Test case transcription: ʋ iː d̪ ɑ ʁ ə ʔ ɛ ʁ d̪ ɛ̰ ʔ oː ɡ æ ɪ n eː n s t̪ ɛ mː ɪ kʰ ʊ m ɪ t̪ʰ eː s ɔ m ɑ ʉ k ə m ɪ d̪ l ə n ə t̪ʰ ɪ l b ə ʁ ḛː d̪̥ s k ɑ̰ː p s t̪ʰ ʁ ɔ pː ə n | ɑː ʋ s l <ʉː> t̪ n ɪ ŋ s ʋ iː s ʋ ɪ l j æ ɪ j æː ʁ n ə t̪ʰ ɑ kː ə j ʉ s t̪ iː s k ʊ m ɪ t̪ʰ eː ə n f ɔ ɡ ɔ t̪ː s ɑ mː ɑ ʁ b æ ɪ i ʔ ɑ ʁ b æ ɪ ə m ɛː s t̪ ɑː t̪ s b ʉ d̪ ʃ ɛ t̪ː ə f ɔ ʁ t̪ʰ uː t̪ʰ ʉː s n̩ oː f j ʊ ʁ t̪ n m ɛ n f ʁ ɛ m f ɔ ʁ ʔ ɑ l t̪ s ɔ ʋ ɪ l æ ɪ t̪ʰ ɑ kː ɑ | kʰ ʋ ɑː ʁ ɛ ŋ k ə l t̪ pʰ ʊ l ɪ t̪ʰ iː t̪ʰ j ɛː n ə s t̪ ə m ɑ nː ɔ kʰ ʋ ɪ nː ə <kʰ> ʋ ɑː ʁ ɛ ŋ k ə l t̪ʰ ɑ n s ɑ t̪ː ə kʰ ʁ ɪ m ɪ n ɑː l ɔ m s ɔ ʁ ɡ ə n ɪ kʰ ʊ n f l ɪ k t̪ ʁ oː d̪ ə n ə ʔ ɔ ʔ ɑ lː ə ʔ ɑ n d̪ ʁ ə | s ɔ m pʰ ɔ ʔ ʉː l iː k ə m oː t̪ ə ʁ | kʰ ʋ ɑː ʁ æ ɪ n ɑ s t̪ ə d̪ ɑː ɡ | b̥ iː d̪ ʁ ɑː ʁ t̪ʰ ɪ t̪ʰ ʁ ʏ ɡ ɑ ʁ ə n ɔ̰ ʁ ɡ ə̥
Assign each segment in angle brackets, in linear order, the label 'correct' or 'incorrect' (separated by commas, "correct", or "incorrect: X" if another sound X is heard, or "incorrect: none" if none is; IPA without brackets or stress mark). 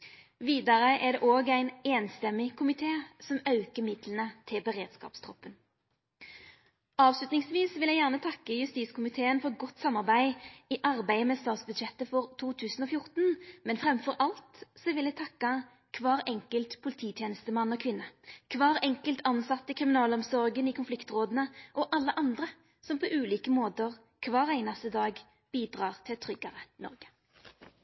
incorrect: ʉ, correct